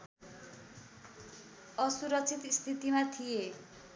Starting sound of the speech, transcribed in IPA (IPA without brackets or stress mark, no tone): ʌ